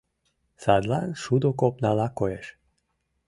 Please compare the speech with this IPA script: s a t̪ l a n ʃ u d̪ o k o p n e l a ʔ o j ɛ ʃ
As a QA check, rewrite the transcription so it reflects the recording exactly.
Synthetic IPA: s a d̪ l a n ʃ u d̪ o k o p n a l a k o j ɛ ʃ